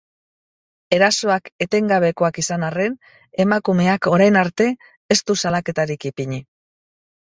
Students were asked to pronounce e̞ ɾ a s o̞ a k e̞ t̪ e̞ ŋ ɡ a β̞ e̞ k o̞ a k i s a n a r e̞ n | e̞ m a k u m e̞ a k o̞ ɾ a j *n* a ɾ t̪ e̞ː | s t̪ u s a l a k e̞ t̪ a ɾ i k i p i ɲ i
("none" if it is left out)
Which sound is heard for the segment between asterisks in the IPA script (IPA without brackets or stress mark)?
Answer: n